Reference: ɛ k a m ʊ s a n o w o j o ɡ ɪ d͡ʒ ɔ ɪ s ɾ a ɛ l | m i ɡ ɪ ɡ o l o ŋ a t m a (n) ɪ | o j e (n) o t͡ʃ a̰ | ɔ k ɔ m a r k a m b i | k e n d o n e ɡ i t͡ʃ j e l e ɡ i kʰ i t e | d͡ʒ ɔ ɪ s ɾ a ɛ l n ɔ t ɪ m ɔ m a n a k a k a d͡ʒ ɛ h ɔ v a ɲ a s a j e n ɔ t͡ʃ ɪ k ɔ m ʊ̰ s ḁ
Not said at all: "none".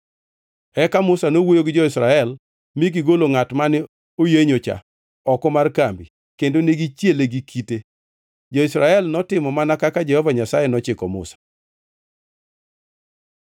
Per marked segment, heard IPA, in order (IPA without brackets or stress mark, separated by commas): n, ɲ